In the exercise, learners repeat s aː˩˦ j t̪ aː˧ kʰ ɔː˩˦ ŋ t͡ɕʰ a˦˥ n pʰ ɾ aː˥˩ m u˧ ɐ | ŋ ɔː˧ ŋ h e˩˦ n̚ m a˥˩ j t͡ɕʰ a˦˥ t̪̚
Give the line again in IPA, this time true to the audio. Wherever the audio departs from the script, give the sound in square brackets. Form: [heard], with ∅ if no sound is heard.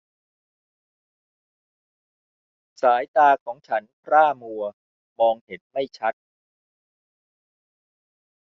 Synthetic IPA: s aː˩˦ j t̪ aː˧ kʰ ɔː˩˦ ŋ t͡ɕʰ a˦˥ n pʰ ɾ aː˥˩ m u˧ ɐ | [m] ɔː˧ ŋ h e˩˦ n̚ m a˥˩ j t͡ɕʰ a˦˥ t̪̚